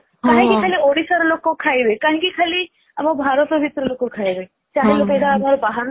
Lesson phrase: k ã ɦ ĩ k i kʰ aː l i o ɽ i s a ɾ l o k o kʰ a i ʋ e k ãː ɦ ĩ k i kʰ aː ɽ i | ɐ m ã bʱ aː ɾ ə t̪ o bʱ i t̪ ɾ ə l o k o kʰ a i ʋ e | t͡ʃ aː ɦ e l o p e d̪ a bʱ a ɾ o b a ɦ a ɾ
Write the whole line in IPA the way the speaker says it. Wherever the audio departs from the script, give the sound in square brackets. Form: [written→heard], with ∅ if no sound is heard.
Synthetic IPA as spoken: k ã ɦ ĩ k i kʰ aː l i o ɽ i s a ɾ l o k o kʰ a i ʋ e k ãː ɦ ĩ k i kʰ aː [ɽ→l] i | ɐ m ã bʱ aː ɾ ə t̪ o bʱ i t̪ ɾ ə l o k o kʰ a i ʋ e | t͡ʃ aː ɦ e l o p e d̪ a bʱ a ɾ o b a ɦ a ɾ

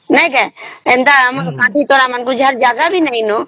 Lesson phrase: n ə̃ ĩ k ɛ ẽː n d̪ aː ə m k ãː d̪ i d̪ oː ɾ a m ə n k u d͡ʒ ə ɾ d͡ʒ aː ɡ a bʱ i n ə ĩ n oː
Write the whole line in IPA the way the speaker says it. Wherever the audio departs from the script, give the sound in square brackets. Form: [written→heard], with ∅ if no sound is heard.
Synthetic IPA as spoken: n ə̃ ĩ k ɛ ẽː n d̪ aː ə m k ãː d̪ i [d̪→t̪] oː ɾ a m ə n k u d͡ʒ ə ɾ d͡ʒ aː ɡ a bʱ i n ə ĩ n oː

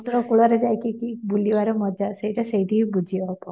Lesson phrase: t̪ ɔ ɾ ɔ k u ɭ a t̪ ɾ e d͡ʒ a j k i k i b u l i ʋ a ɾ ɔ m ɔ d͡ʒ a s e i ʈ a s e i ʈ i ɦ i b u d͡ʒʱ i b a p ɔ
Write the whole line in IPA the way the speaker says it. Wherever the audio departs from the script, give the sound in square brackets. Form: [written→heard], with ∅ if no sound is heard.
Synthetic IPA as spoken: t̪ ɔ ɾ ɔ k u ɭ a [t̪→∅] ɾ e d͡ʒ a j k i k i b u l i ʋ a ɾ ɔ m ɔ d͡ʒ a s e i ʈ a s e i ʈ i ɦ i b u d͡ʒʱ i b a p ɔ

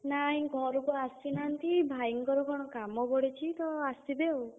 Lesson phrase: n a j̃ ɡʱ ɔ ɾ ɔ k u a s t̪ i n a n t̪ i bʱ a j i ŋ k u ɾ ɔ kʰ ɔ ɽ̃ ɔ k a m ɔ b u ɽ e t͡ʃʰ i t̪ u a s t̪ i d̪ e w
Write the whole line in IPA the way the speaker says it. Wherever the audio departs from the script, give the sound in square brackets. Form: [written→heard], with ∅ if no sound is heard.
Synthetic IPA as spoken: n a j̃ ɡʱ ɔ ɾ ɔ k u a s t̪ i n a n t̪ i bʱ a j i ŋ k [u→ɔ] ɾ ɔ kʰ ɔ ɽ̃ ɔ k a m ɔ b [u→ɔ] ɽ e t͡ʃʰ i t̪ [u→ɔ] a s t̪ i d̪ e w

